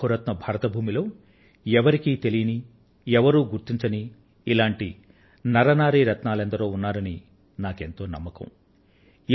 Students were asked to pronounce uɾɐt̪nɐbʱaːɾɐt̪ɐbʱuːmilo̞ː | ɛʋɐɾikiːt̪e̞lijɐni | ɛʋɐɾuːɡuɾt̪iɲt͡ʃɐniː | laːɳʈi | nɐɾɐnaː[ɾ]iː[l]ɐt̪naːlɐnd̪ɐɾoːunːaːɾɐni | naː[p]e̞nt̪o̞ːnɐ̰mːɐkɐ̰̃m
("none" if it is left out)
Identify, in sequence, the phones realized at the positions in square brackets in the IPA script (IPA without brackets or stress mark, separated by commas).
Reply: ɾ, ɾ, k